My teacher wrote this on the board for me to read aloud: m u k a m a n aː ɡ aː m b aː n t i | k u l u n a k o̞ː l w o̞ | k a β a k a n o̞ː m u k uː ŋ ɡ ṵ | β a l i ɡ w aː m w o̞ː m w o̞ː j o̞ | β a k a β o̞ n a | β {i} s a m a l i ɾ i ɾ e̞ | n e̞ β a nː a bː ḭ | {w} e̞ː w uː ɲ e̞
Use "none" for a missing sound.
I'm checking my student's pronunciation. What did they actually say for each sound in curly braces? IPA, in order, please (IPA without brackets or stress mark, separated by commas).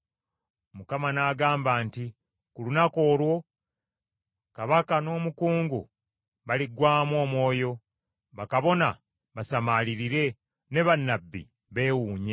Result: a, β